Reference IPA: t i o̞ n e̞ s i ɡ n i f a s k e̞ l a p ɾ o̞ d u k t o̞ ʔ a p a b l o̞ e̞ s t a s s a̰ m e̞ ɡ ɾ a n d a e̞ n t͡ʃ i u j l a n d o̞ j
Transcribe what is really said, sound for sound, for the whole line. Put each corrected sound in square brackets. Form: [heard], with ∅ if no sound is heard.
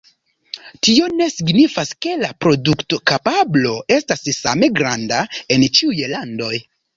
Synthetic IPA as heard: t i o̞ n e̞ s i ɡ n i f a s k e̞ l a p ɾ o̞ d u k t o̞ [k] a p a b l o̞ e̞ s t a s s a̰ m e̞ ɡ ɾ a n d a e̞ n t͡ʃ i u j l a n d o̞ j